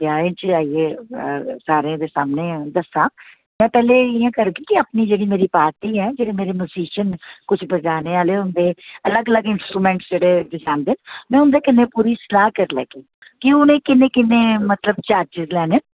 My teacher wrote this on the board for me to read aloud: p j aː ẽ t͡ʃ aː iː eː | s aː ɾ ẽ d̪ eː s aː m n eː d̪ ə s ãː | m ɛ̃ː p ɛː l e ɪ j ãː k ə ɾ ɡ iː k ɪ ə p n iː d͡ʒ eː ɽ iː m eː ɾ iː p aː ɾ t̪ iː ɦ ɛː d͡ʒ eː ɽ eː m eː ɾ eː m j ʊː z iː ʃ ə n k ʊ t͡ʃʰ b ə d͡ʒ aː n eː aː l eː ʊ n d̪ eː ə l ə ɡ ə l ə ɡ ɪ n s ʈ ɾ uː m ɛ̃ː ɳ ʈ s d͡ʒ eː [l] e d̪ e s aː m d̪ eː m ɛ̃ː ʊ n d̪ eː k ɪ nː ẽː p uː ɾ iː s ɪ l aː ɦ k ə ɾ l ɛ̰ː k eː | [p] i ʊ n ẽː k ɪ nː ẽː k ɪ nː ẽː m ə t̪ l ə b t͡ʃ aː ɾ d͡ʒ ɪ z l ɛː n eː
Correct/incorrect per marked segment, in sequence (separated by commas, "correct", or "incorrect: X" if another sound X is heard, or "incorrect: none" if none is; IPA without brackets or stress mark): incorrect: ɽ, incorrect: k